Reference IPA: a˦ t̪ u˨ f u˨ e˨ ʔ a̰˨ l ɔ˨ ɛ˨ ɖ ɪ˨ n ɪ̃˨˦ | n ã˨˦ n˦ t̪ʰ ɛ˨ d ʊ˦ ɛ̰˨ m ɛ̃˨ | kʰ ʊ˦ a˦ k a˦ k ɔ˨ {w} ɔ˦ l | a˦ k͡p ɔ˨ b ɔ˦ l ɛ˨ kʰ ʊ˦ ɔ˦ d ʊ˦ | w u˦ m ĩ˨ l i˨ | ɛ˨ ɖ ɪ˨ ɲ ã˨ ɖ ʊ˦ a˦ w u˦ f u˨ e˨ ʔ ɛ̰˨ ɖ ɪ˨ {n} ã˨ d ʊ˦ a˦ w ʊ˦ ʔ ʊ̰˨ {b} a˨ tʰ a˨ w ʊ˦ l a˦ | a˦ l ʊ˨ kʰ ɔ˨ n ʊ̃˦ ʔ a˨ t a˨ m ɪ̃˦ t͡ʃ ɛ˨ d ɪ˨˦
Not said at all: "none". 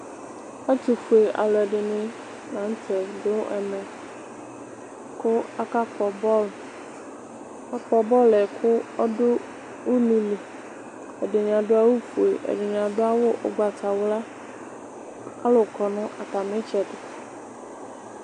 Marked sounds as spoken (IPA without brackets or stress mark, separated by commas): b, ɲ, ɡ͡b